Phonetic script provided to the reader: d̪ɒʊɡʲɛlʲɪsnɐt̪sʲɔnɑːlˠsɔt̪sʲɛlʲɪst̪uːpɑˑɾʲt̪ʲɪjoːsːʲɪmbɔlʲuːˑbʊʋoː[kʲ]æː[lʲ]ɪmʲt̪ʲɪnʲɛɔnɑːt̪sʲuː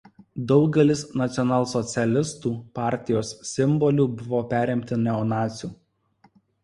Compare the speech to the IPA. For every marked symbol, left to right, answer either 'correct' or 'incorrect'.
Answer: incorrect, incorrect

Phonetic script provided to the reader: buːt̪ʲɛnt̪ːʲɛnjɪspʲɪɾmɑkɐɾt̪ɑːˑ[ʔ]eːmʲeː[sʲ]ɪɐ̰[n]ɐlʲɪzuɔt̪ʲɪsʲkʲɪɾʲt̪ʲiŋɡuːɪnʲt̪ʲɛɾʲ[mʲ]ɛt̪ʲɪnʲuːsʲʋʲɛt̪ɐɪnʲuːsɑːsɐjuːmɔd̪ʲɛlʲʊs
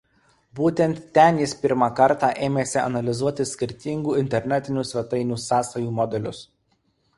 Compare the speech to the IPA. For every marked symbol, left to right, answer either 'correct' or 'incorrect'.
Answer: correct, correct, correct, incorrect

